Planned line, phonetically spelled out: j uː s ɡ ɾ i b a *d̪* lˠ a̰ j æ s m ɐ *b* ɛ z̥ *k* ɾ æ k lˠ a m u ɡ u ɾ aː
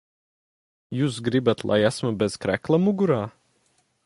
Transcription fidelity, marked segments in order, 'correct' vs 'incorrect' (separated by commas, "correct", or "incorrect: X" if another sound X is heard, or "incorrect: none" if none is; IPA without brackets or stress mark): incorrect: t̪, correct, correct